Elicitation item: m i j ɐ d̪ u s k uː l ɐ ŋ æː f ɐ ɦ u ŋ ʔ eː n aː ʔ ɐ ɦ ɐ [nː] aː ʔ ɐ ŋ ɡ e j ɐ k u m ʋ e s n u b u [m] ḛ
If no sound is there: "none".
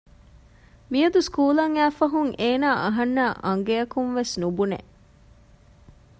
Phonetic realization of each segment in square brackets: nː, n

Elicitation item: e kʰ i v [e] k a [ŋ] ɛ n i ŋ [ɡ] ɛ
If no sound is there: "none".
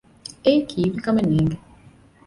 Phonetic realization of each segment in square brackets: i, m, ɡ

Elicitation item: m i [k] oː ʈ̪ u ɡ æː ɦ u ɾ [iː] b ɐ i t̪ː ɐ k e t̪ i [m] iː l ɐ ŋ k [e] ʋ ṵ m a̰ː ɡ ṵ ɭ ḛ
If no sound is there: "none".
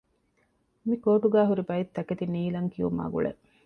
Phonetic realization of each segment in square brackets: k, i, n, i

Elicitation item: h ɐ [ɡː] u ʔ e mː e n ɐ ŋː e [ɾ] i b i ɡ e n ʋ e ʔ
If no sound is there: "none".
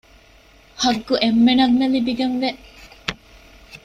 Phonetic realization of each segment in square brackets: ɡː, l

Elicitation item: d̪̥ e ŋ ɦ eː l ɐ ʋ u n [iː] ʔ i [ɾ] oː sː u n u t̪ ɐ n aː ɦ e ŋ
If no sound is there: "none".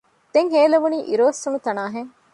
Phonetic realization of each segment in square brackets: iː, ɾ

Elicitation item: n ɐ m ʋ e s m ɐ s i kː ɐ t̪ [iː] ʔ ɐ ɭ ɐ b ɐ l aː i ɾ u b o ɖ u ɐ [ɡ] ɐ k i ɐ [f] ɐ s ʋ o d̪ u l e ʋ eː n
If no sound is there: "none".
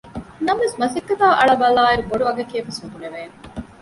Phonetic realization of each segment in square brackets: aː, ɡ, f

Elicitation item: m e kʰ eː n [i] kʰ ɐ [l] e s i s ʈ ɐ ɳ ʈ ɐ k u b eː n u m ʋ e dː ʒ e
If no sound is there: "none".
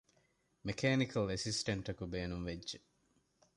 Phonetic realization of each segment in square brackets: i, l

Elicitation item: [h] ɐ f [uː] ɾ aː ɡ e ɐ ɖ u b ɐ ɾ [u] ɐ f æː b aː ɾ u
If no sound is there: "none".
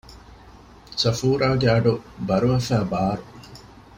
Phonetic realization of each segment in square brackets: s, uː, u

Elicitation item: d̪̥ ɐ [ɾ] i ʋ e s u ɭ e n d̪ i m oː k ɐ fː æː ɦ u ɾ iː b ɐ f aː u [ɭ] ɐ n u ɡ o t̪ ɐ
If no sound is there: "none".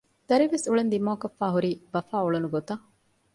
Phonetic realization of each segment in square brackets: ɾ, ɭ

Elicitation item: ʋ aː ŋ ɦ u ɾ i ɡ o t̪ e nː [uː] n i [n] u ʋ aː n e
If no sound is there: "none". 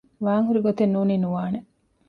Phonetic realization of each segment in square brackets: uː, n

